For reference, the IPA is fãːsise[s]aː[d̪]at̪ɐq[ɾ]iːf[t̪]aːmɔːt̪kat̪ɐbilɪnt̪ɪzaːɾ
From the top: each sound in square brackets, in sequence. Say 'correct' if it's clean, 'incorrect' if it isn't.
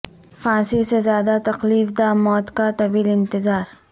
incorrect: z, correct, incorrect: l, incorrect: d̪

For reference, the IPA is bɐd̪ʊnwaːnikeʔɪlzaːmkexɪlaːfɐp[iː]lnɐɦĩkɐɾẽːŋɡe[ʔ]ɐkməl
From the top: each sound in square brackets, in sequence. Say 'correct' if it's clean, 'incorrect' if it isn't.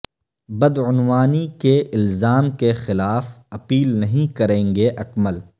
correct, correct

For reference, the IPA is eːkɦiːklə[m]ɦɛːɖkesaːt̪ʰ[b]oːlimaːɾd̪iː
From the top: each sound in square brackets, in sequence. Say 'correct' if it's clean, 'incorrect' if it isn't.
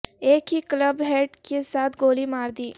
incorrect: b, incorrect: ɡ

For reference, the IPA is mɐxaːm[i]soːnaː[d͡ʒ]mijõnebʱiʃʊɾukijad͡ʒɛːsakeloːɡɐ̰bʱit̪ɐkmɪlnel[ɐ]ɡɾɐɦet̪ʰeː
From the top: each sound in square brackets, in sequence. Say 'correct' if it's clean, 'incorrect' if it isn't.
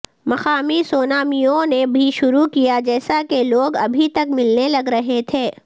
correct, incorrect: none, correct

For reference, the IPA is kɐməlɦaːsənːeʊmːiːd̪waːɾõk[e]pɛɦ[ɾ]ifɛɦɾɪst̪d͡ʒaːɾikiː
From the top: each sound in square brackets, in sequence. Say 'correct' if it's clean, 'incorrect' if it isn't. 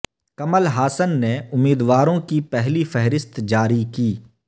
incorrect: i, incorrect: l

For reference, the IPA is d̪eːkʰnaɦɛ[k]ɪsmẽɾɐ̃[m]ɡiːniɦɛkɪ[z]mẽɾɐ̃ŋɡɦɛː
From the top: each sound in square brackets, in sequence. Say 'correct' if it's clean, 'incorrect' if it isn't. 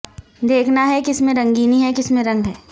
correct, incorrect: ŋ, incorrect: s

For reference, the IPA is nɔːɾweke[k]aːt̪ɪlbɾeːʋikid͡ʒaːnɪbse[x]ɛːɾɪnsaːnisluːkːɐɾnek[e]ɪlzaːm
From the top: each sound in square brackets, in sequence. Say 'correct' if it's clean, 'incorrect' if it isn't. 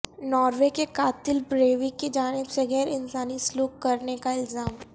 correct, incorrect: ɣ, incorrect: a

